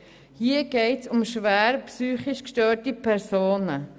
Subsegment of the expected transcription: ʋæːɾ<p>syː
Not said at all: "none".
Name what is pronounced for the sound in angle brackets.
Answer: p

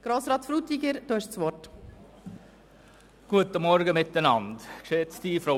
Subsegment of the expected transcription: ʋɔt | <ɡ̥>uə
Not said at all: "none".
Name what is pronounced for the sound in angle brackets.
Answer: ɡ̥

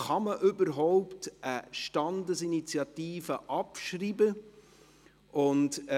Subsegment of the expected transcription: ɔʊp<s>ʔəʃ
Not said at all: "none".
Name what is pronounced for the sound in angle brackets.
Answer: t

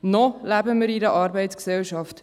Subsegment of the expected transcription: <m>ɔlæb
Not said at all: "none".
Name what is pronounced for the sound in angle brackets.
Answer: n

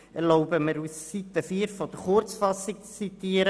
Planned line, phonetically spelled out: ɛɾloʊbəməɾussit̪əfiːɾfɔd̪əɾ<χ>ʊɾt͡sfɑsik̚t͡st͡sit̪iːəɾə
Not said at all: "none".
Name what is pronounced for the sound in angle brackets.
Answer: χ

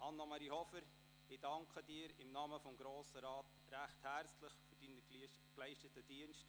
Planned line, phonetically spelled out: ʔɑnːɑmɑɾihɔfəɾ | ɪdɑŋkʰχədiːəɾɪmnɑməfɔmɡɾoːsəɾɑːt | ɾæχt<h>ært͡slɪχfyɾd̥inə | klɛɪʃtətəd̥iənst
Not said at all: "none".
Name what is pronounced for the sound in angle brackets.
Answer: h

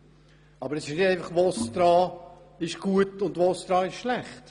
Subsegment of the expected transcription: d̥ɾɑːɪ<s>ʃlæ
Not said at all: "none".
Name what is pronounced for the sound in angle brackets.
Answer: ʃ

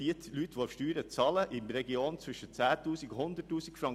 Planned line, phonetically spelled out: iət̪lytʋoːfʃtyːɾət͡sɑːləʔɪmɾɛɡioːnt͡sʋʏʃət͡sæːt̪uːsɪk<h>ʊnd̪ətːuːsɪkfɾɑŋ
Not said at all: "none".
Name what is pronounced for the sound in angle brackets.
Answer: h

